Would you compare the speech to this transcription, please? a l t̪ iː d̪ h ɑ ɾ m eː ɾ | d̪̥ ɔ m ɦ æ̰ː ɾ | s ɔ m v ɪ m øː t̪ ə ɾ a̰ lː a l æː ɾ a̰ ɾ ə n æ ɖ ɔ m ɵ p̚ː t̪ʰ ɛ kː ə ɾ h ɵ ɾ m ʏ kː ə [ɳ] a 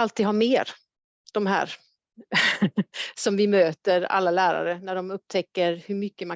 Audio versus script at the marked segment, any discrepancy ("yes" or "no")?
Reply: yes